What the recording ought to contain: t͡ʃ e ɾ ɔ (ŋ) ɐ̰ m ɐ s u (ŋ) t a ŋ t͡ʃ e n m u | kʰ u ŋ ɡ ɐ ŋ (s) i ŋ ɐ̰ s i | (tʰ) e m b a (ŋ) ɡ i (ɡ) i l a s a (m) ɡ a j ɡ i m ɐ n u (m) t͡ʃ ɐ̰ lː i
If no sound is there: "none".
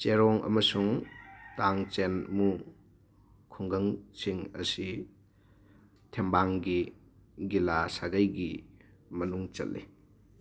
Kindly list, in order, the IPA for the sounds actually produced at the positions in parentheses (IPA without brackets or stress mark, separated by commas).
ŋ, ŋ, s, tʰ, ŋ, ɡ, none, ŋ